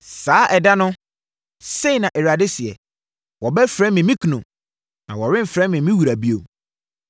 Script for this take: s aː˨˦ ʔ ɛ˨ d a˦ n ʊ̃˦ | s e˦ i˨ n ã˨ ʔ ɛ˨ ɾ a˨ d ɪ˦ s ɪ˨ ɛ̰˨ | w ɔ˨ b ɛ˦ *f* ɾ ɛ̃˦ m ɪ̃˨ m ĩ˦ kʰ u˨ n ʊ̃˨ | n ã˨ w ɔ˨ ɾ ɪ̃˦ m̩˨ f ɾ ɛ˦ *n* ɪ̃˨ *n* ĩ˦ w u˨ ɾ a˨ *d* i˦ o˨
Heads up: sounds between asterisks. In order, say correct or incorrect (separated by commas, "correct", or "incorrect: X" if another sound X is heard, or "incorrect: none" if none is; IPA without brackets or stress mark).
correct, incorrect: m, incorrect: m, incorrect: b